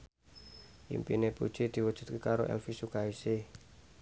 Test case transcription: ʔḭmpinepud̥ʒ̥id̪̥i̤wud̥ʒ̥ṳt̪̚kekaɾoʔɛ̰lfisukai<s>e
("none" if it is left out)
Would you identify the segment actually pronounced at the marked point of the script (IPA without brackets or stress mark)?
s